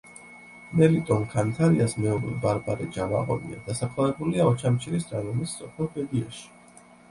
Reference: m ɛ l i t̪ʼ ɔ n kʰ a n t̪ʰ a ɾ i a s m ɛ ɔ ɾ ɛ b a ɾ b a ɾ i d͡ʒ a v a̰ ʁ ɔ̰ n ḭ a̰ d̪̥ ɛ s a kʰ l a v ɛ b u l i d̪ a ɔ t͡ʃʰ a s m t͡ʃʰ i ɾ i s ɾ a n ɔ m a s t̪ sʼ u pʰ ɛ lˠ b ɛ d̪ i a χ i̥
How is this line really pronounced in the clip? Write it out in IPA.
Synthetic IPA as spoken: m ɛ l i t̪ʼ ɔ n kʰ a n t̪ʰ a ɾ i a s m ɛ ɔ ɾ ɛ b a ɾ b a ɾ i d͡ʒ a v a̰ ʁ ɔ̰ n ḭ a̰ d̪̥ a s a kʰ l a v ɛ b u l i a ɔ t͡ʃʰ a m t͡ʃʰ i ɾ i s ɾ a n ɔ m i s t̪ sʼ ɔ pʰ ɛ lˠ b ɛ d̪ i a ʃ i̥